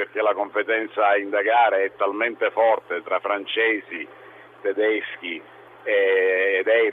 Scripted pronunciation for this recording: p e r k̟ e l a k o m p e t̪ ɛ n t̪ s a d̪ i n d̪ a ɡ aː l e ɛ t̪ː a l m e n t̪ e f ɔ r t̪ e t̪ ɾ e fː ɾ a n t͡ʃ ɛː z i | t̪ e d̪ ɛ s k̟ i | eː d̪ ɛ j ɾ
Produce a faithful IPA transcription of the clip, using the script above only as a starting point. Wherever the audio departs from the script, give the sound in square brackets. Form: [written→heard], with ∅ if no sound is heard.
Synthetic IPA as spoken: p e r k̟ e l a k o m p e t̪ ɛ n t̪ s a [d̪→∅] i n d̪ a ɡ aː [l→ɾ] e ɛ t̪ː a l m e n t̪ e f ɔ r t̪ e t̪ ɾ [e→a] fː ɾ a n t͡ʃ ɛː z i | t̪ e d̪ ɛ s k̟ i | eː d̪ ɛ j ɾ